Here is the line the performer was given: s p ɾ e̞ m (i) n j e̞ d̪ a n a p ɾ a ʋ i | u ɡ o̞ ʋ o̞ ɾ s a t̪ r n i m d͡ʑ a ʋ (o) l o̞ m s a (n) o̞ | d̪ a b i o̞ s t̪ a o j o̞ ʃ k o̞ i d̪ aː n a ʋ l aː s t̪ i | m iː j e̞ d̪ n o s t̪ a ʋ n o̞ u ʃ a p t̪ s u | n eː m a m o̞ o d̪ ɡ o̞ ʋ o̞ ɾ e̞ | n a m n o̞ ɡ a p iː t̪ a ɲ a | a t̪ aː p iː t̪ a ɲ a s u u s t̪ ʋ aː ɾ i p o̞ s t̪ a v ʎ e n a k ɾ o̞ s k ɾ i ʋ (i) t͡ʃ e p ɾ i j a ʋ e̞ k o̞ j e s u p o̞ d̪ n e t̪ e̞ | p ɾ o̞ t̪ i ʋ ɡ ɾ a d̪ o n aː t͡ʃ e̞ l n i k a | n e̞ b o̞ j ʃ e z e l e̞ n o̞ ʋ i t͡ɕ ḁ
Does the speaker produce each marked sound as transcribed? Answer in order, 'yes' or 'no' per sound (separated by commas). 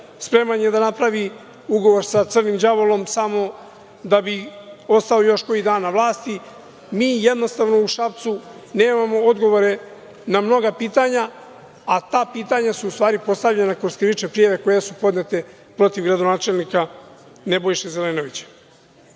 no, yes, no, yes